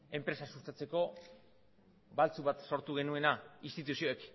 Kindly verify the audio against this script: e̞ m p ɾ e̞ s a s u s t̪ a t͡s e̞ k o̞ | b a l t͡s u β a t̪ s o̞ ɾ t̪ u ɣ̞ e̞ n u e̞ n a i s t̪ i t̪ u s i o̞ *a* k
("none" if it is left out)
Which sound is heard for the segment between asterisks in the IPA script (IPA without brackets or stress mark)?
e